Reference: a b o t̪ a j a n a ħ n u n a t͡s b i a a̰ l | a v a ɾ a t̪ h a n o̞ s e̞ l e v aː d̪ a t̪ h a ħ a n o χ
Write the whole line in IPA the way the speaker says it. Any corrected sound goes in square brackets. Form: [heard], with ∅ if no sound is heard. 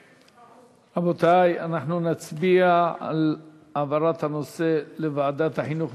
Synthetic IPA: a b o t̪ a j a n a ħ n u n a t͡s b i a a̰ l | a v a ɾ a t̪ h a n o̞ s e̞ l e v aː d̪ a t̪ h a ħ [i] n [u] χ